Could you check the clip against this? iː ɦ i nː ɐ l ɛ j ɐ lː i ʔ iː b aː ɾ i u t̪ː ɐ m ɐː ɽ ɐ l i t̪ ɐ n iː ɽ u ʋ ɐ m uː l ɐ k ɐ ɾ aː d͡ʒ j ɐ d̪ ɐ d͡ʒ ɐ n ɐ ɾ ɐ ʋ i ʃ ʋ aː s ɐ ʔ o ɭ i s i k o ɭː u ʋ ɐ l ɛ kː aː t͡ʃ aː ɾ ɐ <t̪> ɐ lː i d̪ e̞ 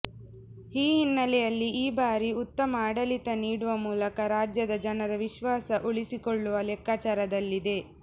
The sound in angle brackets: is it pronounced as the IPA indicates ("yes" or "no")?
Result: no